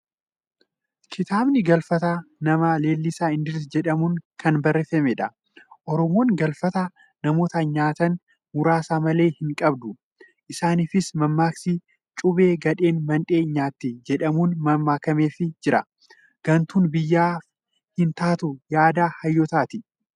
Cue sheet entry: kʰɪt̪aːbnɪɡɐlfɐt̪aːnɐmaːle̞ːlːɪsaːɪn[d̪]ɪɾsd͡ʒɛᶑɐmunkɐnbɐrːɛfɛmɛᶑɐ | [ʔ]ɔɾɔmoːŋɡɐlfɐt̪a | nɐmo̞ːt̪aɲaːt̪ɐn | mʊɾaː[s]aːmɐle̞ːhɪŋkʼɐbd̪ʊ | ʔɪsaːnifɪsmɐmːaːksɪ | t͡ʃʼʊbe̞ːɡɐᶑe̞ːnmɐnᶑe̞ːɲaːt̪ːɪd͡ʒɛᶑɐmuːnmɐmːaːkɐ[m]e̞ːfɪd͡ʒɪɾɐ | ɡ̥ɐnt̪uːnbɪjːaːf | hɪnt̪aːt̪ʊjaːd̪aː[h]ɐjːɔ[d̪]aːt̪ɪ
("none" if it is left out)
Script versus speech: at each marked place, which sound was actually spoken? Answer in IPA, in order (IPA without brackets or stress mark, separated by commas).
d̪, ʔ, s, m, h, t̪